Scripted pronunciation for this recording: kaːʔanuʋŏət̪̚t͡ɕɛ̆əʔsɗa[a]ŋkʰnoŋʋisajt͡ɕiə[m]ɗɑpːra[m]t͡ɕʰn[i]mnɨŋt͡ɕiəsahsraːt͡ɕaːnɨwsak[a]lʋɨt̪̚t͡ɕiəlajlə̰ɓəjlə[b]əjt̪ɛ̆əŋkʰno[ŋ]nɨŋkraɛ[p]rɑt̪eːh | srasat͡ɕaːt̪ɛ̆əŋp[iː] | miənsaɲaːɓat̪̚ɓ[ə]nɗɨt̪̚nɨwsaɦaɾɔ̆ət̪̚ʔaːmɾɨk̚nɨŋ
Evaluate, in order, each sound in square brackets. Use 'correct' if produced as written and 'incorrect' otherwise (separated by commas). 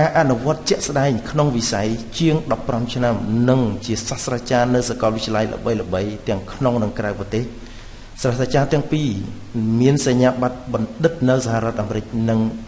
incorrect, incorrect, correct, incorrect, incorrect, incorrect, correct, correct, correct, incorrect